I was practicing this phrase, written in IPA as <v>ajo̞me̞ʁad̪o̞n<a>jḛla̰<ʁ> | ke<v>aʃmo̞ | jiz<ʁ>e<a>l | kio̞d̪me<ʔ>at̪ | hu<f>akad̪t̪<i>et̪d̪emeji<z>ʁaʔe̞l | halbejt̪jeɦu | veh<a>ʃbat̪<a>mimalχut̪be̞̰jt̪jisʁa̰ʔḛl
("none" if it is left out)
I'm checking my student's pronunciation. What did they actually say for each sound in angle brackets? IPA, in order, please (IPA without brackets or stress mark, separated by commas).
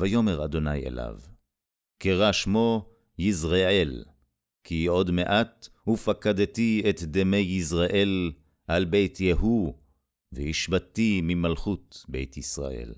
v, a, v, ʁ, ʁ, e, ʔ, f, i, z, i, i